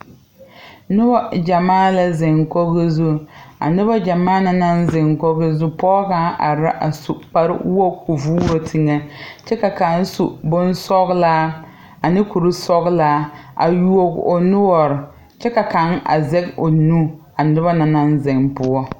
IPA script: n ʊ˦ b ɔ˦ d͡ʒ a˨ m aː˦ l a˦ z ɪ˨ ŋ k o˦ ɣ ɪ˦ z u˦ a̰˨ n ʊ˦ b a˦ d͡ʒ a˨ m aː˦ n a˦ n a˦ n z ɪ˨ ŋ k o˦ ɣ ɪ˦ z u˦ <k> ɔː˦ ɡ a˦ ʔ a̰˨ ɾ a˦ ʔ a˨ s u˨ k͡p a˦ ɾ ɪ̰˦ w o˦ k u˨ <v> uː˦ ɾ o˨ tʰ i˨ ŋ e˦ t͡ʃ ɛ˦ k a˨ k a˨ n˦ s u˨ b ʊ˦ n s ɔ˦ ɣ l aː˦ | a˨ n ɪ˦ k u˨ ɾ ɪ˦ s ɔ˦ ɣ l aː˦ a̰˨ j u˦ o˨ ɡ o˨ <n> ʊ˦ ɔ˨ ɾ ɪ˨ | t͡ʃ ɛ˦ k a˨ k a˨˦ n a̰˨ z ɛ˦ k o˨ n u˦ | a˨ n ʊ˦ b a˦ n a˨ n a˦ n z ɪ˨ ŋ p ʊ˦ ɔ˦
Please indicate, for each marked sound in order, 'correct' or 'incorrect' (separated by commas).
incorrect, correct, correct